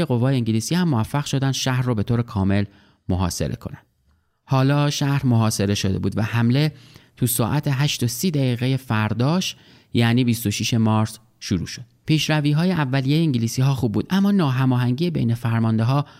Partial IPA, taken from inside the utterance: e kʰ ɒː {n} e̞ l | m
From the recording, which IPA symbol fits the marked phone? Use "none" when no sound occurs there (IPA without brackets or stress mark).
m